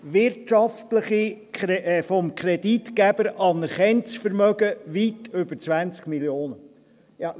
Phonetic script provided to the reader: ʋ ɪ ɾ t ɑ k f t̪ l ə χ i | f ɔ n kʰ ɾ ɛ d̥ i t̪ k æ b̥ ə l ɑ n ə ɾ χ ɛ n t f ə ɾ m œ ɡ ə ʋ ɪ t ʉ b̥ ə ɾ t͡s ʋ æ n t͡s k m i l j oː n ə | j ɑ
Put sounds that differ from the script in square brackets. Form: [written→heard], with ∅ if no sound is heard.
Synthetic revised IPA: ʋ ɪ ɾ t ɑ [k→∅] f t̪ l ə χ i | f ɔ [n→m] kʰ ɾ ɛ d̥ i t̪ k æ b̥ ə [l→ɾ] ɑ n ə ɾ χ ɛ n [t→t͡s] f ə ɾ m œ ɡ ə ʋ [ɪ→i] t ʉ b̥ ə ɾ t͡s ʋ æ n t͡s k m i l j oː n ə | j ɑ